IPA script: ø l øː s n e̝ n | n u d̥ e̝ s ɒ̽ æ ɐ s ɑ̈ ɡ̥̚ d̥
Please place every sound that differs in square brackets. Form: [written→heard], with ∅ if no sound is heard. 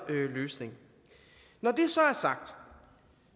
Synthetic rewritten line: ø l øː s n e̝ [n→ŋ] | n [u→ɒ] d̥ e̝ s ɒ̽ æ ɐ s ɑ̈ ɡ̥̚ d̥